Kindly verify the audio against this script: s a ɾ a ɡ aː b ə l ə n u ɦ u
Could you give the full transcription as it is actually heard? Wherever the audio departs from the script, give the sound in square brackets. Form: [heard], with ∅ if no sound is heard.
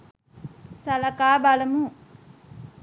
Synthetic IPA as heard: s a [l] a [k] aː b [a] l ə [m] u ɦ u